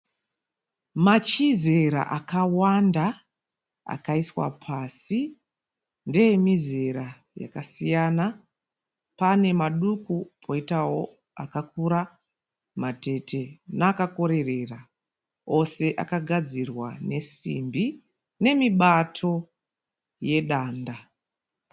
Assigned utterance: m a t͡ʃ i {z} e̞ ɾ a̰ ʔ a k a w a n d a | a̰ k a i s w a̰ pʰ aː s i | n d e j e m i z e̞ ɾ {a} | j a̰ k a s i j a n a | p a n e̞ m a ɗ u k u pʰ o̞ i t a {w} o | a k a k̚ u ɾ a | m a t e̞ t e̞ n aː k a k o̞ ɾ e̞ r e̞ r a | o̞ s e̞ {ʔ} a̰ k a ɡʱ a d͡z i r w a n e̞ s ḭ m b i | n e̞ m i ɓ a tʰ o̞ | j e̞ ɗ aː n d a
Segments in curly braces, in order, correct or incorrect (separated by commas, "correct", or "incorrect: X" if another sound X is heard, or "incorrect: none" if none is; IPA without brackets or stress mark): correct, correct, correct, correct